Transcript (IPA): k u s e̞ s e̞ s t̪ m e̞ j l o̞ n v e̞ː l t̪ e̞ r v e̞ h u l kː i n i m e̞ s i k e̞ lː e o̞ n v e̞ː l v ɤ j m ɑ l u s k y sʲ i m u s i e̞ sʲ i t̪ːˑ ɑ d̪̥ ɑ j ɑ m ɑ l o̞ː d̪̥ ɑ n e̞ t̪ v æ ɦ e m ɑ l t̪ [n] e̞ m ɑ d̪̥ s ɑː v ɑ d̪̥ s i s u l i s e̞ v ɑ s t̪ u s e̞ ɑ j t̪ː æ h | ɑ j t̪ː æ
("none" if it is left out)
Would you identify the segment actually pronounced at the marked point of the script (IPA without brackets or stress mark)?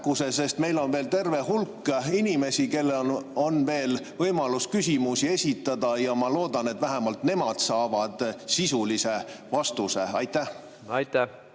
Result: n